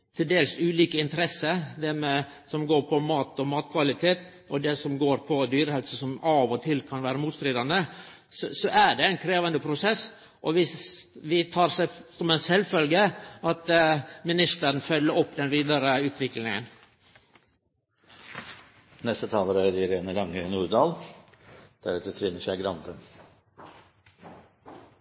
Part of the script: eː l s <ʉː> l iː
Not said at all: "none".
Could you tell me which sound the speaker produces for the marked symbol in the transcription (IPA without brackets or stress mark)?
ʉː